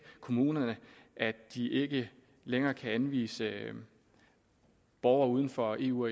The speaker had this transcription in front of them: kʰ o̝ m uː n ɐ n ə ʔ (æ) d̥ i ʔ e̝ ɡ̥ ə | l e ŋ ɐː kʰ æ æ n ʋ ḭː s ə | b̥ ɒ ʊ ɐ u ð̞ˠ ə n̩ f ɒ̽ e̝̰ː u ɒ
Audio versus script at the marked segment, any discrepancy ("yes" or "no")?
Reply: no